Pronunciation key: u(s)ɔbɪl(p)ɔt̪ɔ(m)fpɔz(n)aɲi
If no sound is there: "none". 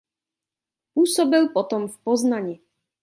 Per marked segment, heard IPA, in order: s, p, m, n

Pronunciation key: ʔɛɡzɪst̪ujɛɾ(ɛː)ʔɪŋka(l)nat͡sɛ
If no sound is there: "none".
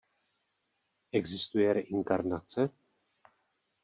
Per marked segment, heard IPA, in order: ɛ, ɾ

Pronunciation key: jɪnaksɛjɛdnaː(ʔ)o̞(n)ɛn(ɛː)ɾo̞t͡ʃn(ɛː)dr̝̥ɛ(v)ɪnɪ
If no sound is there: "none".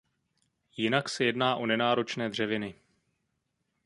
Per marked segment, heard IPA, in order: ʔ, n, aː, ɛː, v

